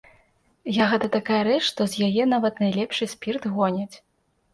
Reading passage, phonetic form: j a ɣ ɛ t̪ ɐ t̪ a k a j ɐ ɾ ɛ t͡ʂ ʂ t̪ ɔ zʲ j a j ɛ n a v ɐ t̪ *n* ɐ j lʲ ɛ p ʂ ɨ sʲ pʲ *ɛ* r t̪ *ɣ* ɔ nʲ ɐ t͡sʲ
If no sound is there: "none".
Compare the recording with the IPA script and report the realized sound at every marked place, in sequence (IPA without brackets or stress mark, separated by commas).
n, i, ɣ